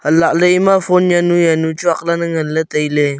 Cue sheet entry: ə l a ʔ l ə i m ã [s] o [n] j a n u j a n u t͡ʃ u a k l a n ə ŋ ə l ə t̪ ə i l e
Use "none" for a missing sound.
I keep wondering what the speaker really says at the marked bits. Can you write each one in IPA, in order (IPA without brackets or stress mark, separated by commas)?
f, n